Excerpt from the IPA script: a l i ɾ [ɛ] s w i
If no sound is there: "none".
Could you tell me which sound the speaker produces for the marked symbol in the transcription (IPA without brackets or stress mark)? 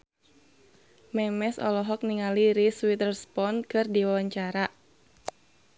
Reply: i